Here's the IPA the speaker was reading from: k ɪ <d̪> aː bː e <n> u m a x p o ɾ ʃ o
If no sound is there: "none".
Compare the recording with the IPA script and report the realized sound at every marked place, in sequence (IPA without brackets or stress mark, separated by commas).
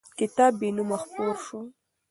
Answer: t̪, n